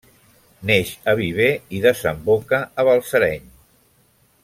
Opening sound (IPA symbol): n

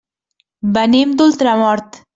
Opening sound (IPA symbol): b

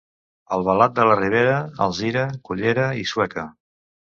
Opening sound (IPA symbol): ə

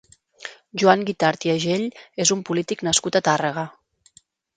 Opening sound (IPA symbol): ʒ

